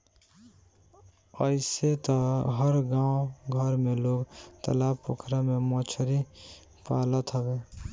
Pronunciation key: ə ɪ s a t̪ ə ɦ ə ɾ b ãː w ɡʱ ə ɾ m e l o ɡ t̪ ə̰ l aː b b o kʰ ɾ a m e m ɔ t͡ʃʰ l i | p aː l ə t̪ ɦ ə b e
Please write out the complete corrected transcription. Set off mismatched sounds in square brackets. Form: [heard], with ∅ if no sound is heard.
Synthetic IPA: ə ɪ s [e] t̪ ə ɦ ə ɾ [ɡ] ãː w ɡʱ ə ɾ m e l o ɡ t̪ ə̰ l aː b [p] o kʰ ɾ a m e m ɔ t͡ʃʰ [ɾ] i | p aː l ə t̪ ɦ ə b e